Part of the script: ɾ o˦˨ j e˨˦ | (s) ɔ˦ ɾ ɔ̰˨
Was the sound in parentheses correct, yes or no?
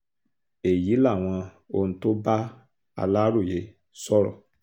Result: yes